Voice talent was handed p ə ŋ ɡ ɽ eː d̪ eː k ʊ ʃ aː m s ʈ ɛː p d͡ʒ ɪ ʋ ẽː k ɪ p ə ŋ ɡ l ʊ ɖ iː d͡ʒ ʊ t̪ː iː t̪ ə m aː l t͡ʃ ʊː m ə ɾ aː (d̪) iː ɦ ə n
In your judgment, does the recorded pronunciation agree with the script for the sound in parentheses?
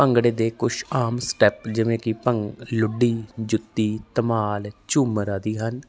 yes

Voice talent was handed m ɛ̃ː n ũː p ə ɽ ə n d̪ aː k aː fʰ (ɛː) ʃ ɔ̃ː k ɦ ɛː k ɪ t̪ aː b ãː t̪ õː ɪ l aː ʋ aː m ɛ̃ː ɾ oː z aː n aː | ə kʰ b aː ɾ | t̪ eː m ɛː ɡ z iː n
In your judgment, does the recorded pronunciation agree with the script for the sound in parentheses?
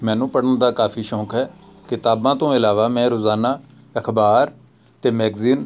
no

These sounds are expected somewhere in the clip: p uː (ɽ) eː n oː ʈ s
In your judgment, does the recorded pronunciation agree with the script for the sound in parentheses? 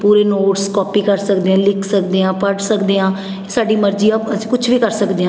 no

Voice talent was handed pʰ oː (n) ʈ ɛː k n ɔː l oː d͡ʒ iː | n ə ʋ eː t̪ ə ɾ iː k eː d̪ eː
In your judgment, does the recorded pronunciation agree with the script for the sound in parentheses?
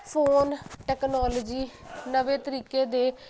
yes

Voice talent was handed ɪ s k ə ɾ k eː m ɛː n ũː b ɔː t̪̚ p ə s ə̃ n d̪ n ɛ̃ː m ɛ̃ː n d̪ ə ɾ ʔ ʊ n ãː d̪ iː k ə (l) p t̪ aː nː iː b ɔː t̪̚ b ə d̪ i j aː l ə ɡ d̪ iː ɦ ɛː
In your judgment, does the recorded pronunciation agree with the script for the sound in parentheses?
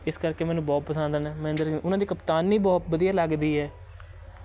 no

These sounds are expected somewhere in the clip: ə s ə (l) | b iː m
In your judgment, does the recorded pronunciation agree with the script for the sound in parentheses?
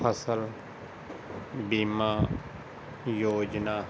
yes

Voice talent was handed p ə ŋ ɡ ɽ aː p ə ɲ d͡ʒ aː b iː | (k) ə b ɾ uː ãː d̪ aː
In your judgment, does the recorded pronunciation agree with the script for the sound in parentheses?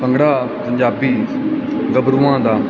no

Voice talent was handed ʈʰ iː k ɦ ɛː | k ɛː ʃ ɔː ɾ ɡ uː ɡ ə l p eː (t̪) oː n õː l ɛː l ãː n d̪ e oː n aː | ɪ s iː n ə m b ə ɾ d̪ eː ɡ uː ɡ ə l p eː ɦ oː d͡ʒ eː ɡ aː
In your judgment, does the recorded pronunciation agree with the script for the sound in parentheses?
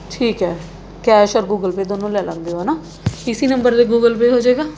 no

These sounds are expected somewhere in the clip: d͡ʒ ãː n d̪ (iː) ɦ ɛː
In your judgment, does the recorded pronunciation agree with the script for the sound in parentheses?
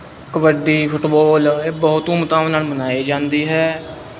yes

